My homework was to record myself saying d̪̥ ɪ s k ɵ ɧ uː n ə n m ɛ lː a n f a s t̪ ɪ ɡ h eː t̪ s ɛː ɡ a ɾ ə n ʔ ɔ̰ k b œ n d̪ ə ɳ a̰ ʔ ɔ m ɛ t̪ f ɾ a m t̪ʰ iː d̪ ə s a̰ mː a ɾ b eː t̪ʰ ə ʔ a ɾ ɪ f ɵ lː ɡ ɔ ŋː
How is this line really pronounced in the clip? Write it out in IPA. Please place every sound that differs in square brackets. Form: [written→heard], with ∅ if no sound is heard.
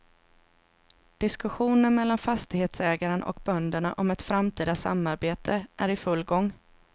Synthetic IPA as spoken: d̪̥ ɪ s k ɵ ɧ uː n ə n m ɛ lː a n f a s t̪ ɪ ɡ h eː t̪ s ɛː ɡ a ɾ ə n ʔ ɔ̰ k b œ n d̪ ə ɳ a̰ ʔ ɔ m ɛ t̪ f ɾ a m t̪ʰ iː d̪ [ə→a] s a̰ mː a ɾ b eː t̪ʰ ə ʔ [a→æ] ɾ ɪ f ɵ lː ɡ ɔ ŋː